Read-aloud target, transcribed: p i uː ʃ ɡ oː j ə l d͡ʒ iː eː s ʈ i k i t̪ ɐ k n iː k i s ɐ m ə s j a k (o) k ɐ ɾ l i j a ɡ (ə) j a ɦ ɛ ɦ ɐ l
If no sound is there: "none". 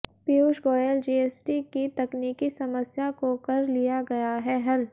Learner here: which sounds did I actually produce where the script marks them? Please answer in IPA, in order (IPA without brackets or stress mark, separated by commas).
o, ɐ